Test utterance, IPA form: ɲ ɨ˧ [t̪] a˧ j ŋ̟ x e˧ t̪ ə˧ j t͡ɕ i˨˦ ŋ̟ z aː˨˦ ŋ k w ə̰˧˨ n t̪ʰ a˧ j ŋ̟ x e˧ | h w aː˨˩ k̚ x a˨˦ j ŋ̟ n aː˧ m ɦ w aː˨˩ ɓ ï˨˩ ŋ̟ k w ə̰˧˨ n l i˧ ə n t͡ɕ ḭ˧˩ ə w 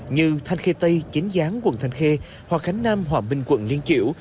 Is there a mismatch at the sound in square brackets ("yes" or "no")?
yes